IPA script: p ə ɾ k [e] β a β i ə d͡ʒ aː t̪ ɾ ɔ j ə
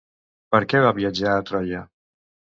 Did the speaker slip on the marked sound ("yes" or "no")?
yes